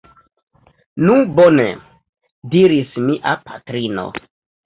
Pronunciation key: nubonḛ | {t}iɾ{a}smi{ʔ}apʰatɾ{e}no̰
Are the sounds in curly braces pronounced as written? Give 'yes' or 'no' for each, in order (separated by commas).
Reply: no, no, yes, no